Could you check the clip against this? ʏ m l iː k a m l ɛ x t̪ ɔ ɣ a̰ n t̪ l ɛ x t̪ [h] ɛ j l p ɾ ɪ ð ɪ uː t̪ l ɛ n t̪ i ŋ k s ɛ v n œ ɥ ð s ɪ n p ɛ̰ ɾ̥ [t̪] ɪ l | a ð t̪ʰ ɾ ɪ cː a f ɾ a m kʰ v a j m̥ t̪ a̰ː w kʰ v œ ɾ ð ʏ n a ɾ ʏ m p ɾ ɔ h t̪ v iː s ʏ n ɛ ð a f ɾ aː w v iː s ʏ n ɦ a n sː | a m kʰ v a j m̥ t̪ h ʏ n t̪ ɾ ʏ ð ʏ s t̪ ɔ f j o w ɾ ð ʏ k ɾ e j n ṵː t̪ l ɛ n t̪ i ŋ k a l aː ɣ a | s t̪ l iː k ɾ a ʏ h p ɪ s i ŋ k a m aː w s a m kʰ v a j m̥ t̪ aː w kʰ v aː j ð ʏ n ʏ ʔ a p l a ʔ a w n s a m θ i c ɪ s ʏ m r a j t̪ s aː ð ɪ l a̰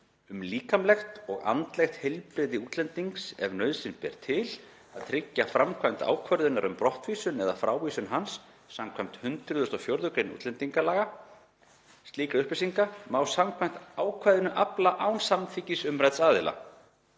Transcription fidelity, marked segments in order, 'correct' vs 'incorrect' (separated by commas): correct, incorrect